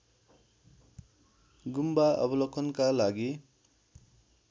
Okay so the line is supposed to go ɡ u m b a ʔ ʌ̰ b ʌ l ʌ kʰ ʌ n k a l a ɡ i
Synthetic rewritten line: ɡ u m b a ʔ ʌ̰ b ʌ l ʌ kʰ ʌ n k a l a ɡ i